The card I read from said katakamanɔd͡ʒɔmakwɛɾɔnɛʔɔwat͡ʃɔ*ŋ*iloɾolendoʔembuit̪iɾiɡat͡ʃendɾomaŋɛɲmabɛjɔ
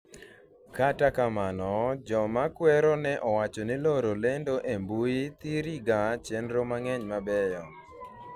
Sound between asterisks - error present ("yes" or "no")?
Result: yes